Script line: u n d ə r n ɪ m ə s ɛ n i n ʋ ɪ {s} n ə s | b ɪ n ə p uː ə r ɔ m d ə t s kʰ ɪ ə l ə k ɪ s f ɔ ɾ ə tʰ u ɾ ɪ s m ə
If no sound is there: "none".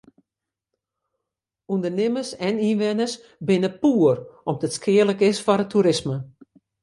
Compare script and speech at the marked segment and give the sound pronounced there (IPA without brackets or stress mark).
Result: none